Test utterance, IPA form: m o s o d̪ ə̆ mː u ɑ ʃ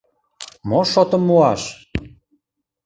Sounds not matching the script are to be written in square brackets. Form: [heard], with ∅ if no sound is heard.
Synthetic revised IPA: m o [ʃ] o [t̪] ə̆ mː u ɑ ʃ

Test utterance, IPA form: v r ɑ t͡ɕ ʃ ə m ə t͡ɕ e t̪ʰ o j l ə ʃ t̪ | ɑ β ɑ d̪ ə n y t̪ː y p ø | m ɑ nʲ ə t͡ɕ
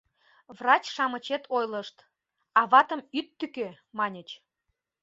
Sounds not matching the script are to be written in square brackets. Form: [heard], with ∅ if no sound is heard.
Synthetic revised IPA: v r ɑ t͡ɕ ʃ [ɑ] m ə t͡ɕ e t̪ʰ o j l ə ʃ t̪ | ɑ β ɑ [t̪] ə [m] y t̪ː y [k] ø | m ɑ nʲ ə t͡ɕ

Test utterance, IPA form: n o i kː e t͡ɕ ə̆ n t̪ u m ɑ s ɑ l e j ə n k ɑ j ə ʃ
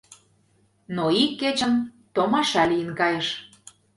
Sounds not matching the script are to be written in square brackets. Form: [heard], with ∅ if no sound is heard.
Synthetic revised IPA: n o i kː e t͡ɕ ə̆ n t̪ [o] m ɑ [ʃ] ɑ l [i] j ə n k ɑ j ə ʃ

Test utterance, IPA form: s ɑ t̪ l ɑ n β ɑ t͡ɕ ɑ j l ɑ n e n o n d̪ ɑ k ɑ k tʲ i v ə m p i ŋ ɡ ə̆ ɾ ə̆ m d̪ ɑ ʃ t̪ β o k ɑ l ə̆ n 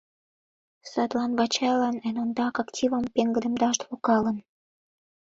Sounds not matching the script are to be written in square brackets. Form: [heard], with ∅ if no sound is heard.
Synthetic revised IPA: s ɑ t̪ l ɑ n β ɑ t͡ɕ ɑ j l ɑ n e n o n d̪ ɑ k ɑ k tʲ i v ə m p [e] ŋ ɡ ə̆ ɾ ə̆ m d̪ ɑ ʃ t̪ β o k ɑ l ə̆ n

